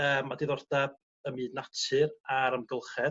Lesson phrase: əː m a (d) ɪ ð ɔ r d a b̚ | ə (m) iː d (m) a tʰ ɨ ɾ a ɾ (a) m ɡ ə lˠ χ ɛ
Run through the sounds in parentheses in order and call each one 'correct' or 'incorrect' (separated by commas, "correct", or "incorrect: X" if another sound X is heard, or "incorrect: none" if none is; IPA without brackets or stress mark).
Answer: correct, correct, incorrect: n, incorrect: ə